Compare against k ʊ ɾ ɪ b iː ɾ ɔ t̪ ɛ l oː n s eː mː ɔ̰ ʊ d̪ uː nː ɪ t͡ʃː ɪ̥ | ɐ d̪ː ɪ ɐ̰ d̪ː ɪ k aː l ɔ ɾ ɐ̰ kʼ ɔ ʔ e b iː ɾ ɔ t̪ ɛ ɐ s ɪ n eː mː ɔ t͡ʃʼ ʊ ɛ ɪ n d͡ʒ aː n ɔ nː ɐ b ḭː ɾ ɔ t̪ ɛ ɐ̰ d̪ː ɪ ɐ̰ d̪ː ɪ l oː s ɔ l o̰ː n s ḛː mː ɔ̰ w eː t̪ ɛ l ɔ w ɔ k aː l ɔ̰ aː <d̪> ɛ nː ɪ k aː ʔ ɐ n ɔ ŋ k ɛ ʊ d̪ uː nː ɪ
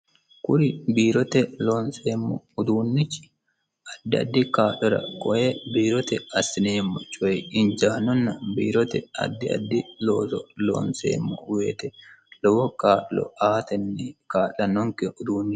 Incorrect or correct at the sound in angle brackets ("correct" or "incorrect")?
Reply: incorrect